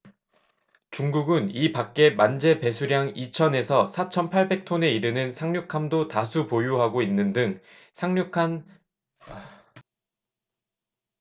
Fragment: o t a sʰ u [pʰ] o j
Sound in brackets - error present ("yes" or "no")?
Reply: yes